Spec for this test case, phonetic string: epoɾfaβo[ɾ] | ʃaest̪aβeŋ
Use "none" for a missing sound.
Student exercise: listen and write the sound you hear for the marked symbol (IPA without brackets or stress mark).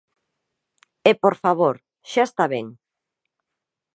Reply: ɾ